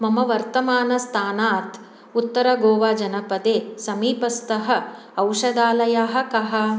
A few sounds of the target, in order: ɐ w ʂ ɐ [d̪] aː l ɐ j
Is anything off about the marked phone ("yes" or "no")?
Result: no